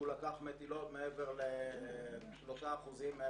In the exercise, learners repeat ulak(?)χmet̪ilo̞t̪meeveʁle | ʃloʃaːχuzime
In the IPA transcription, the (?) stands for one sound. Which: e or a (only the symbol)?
a